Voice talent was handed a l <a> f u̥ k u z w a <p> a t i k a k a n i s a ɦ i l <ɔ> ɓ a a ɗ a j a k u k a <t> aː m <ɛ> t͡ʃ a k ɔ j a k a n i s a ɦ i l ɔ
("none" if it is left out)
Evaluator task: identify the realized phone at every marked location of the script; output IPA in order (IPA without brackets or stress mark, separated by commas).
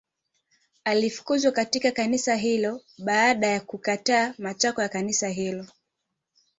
i, k, ɔ, t, a